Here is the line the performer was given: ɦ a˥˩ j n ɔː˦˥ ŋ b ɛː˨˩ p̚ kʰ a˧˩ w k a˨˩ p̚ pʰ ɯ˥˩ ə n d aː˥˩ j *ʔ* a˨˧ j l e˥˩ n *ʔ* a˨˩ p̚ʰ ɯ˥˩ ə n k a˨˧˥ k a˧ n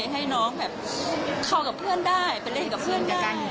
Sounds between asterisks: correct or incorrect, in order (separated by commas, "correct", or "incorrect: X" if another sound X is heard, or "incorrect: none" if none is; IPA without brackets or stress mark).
incorrect: p, incorrect: k